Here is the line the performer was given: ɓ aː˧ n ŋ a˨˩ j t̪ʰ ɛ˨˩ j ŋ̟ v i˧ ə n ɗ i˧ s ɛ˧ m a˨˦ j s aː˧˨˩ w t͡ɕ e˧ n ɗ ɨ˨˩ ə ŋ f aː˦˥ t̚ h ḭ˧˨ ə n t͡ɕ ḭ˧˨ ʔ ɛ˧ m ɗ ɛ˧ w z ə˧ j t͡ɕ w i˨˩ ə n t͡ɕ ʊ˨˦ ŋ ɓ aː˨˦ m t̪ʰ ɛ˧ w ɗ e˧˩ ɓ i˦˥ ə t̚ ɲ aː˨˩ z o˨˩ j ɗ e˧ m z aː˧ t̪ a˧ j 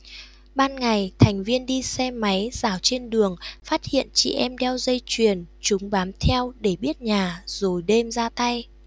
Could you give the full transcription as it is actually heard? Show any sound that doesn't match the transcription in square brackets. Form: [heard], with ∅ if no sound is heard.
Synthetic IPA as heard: ɓ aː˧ n ŋ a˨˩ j t̪ʰ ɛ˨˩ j ŋ̟ v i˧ ə n ɗ i˧ s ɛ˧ m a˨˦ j [z] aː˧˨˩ w t͡ɕ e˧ n ɗ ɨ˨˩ ə ŋ f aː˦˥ t̚ h ḭ˧˨ ə n t͡ɕ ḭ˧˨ ʔ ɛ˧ m ɗ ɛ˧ w z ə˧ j t͡ɕ w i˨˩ ə n t͡ɕ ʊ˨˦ [ŋ͡m] ɓ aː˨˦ m t̪ʰ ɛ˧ w ɗ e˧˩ ɓ i˦˥ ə t̚ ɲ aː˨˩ z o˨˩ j ɗ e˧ m z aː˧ t̪ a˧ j